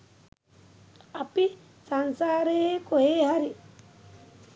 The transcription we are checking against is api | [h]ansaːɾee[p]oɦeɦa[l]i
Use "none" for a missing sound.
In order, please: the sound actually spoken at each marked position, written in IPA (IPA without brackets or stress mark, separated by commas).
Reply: s, k, ɾ